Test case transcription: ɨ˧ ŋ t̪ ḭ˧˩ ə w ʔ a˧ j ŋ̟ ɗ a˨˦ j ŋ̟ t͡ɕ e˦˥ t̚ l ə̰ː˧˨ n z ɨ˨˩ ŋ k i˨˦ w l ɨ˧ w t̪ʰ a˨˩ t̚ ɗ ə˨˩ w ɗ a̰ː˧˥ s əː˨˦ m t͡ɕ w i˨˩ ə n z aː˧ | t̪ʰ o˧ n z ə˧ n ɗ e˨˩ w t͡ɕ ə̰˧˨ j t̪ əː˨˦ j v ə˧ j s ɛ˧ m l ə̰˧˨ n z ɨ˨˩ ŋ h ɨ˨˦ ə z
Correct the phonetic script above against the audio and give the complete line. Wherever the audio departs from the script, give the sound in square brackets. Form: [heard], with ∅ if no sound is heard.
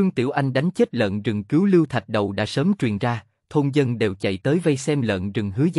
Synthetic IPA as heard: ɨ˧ ŋ t̪ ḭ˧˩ ə w ʔ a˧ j ŋ̟ ɗ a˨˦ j ŋ̟ t͡ɕ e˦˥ t̚ l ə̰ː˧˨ n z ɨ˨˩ ŋ k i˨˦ w l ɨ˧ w t̪ʰ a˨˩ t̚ ɗ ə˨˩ w ɗ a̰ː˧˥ s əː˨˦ m t͡ɕ w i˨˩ ə n z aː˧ | t̪ʰ o˧ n z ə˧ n ɗ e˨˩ w t͡ɕ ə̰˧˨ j t̪ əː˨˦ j v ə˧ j s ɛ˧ m l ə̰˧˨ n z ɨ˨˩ ŋ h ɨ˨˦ ə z

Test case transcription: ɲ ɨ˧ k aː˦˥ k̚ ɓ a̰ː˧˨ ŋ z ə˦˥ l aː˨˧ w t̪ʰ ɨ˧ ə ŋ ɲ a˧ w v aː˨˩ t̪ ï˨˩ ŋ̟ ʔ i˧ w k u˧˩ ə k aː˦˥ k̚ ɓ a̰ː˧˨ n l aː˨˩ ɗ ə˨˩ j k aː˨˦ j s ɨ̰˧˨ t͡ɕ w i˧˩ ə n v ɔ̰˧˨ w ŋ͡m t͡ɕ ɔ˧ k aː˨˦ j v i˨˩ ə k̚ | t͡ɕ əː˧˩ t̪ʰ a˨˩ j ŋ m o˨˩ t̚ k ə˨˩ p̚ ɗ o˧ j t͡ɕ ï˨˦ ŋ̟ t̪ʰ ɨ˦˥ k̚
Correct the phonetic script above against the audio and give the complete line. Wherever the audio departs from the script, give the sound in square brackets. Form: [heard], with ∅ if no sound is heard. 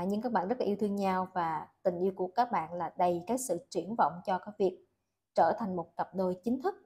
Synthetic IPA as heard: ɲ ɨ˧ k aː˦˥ k̚ ɓ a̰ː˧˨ [n] z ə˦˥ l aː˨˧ w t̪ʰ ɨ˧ ə ŋ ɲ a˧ w v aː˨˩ t̪ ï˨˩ ŋ̟ ʔ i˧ w k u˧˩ ə k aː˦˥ k̚ ɓ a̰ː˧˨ n l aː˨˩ ɗ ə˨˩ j k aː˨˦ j s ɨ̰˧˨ t͡ɕ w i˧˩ ə n v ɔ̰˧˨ w ŋ͡m t͡ɕ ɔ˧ k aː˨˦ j v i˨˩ ə k̚ | t͡ɕ əː˧˩ t̪ʰ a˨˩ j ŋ m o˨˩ t̚ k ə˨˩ p̚ ɗ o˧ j t͡ɕ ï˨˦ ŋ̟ t̪ʰ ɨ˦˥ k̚

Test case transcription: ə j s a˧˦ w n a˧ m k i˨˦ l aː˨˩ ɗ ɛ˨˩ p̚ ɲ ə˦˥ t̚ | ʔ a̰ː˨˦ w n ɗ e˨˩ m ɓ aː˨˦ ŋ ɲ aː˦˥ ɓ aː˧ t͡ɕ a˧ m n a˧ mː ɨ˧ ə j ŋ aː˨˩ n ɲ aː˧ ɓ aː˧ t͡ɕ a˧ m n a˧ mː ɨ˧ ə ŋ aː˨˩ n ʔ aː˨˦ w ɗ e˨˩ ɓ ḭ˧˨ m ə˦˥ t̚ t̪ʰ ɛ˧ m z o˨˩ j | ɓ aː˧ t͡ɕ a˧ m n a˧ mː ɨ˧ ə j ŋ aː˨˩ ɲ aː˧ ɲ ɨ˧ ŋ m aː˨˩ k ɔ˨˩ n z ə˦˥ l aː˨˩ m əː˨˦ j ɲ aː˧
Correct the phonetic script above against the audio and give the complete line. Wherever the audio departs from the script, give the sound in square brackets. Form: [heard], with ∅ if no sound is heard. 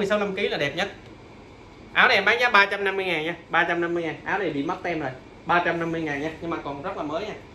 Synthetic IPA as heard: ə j s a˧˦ w n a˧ m k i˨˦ l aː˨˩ ɗ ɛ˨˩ p̚ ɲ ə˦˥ t̚ | ʔ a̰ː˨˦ w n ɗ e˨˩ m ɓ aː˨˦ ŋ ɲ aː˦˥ ɓ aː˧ t͡ɕ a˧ m n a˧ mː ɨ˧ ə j ŋ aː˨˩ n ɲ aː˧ ɓ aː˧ t͡ɕ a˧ m n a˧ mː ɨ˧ ə ŋ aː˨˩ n ʔ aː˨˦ w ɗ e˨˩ ɓ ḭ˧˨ m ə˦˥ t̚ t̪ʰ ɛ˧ m z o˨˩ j | ɓ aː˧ t͡ɕ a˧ m n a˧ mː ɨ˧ ə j ŋ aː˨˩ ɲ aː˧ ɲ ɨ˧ ŋ m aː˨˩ k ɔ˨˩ n z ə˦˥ l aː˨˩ m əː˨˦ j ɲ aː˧

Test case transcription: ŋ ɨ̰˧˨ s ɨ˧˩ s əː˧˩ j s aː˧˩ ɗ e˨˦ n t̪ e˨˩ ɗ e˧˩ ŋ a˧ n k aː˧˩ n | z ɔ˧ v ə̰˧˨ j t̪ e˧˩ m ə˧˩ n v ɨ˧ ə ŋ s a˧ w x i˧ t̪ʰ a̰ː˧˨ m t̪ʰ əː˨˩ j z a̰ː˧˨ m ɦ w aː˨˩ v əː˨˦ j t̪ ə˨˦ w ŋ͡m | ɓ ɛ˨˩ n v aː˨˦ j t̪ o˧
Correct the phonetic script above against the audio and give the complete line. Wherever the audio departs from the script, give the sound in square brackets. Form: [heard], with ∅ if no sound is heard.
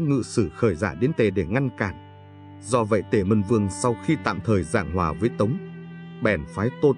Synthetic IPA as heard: ŋ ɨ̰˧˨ s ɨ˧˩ [x] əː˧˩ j [z] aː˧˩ ɗ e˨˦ n t̪ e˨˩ ɗ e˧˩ ŋ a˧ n k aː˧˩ n | z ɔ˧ v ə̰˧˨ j t̪ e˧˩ m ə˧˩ n v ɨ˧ ə ŋ s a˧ w x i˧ [t̪] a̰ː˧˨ m t̪ʰ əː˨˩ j z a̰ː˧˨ [ŋ] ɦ w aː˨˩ v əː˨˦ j t̪ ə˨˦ w ŋ͡m | ɓ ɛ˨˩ n [f] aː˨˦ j t̪ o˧

